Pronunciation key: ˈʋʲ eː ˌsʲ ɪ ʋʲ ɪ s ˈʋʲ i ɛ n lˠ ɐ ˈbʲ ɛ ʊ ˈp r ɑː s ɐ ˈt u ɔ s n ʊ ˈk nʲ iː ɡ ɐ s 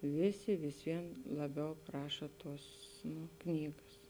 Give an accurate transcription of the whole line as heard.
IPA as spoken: ˈʋʲ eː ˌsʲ ɪ ʋʲ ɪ s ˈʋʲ i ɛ n lˠ ɐ ˈbʲ ɛ ʊ ˈp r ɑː ʃ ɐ ˈt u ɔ s n ʊ ˈk nʲ iː ɡ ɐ s